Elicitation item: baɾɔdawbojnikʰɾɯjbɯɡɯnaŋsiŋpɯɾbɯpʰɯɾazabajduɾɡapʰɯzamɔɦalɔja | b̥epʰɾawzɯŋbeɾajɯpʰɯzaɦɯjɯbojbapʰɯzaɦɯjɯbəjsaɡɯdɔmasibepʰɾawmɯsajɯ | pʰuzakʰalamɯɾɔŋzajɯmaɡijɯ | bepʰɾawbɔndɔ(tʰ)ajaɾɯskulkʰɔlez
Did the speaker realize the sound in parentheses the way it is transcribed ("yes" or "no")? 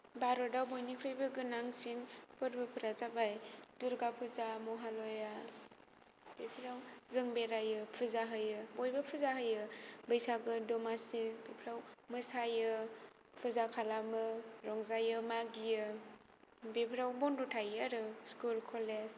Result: yes